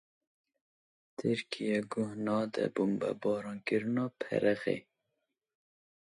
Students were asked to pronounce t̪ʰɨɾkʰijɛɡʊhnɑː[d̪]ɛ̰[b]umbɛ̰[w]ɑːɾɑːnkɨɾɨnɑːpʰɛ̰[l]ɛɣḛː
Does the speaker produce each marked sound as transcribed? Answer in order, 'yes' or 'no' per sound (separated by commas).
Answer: yes, yes, no, no